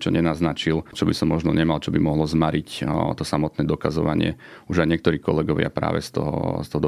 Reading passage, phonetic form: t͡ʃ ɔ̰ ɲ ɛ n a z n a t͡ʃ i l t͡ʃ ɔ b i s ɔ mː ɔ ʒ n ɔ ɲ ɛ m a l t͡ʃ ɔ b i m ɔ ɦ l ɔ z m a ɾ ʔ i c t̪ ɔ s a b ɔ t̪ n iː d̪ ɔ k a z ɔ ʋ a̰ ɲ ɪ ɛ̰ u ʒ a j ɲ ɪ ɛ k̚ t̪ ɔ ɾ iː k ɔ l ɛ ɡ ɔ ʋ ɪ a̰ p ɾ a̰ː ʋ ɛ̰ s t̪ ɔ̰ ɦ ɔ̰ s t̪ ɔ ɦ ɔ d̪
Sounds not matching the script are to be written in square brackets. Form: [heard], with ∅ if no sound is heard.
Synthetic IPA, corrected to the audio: t͡ʃ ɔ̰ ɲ ɛ n a z n a t͡ʃ i l t͡ʃ ɔ b i s ɔ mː ɔ ʒ n ɔ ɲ ɛ m a l t͡ʃ ɔ b i m ɔ ɦ l ɔ z m a ɾ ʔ i c t̪ ɔ s a [m] ɔ t̪ n [ɛː] d̪ ɔ k a z ɔ ʋ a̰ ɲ ɪ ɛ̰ u ʒ a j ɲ ɪ ɛ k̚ t̪ ɔ ɾ iː k ɔ l ɛ ɡ ɔ ʋ ɪ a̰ p ɾ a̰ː ʋ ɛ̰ s t̪ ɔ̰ ɦ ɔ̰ s t̪ ɔ ɦ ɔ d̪